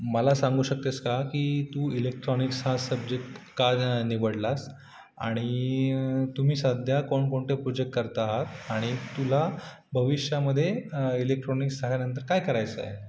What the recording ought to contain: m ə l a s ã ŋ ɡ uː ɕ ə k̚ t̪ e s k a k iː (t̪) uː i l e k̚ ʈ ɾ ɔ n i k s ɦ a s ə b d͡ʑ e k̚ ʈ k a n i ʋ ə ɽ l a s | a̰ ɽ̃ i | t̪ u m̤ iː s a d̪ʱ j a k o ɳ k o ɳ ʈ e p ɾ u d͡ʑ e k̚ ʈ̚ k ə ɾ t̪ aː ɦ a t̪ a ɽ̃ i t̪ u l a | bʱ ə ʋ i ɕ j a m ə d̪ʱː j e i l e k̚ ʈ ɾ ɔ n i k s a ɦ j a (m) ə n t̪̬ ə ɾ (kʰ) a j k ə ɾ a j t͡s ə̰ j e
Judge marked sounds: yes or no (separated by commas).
yes, no, no